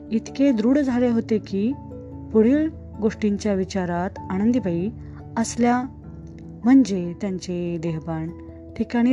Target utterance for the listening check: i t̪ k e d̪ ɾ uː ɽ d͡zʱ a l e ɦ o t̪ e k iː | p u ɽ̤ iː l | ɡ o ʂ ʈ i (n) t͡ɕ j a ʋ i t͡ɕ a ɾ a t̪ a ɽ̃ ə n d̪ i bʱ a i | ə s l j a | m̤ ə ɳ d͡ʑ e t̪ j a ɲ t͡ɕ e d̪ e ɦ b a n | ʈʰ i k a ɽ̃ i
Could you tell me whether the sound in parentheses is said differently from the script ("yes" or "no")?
yes